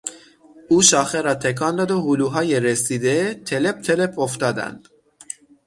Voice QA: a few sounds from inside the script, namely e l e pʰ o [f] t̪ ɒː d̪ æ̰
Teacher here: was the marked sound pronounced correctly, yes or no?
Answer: yes